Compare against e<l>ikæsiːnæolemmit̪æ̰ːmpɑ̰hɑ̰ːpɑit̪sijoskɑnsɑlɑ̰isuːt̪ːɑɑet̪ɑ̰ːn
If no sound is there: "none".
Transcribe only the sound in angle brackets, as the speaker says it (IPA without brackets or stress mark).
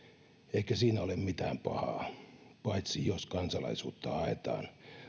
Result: none